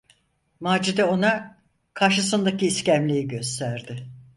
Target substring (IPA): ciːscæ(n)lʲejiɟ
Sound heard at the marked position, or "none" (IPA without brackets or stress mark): m